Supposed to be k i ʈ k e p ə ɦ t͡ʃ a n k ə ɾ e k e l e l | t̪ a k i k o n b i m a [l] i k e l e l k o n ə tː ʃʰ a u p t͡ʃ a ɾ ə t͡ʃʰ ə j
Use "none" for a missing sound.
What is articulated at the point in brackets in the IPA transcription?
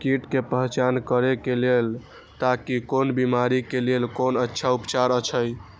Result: ɾ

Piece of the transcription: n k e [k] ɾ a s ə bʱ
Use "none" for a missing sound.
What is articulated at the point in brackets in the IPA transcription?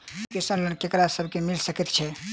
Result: k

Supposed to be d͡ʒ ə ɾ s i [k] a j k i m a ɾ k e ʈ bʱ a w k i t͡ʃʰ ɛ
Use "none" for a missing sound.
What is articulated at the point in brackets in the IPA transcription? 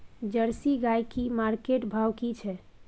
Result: ɡ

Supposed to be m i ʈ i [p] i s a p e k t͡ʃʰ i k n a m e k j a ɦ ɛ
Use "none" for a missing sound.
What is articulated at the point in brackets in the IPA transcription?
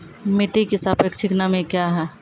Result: k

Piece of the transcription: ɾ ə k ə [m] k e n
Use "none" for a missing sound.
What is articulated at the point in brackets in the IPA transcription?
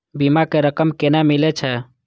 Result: m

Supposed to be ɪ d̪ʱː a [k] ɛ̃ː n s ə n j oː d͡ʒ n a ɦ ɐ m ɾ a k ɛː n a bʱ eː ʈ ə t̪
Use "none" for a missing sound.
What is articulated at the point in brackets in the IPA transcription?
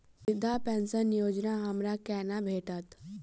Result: p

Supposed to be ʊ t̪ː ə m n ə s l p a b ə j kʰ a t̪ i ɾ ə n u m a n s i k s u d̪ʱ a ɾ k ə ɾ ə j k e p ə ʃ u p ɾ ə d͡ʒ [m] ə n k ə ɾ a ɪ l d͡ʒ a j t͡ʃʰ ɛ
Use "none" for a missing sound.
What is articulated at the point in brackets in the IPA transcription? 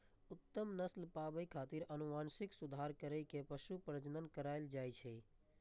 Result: n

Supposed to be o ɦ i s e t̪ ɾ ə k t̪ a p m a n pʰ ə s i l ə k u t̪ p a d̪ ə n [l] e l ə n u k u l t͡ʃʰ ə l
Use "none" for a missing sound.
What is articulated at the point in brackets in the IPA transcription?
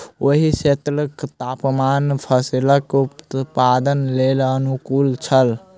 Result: l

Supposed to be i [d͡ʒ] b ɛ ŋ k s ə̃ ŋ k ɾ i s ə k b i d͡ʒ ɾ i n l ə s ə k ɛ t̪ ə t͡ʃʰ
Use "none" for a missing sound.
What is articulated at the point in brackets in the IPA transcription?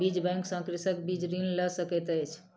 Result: d͡ʒ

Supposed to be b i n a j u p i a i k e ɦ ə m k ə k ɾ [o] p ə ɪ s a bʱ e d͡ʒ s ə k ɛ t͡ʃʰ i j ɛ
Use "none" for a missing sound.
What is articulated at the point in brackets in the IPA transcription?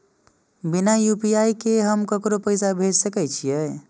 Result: o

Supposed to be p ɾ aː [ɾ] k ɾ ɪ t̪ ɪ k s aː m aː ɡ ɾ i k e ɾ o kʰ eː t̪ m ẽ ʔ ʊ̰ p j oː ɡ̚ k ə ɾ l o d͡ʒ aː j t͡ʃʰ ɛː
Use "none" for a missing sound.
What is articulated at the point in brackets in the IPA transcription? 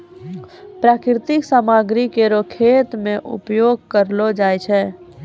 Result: none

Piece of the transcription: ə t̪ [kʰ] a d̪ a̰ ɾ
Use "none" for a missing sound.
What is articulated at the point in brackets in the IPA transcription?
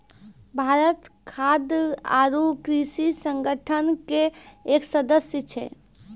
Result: kʰ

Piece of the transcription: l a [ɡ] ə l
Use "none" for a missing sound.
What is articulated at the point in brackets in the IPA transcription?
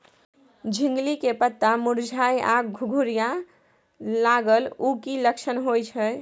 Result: ɡ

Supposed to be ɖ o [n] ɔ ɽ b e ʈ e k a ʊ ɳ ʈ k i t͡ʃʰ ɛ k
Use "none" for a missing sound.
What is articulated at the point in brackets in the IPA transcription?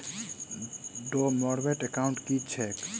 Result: m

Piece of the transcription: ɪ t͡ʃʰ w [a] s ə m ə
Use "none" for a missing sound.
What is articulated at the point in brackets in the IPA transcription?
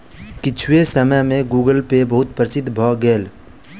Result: e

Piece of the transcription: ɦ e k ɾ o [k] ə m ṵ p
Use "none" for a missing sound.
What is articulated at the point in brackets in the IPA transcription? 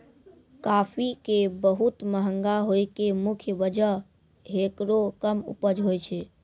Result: k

